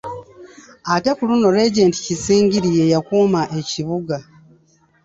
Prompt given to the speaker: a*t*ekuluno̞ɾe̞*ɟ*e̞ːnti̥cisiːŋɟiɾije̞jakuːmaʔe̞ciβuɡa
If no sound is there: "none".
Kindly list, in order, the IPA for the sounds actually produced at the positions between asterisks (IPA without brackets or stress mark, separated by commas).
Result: t, ɟ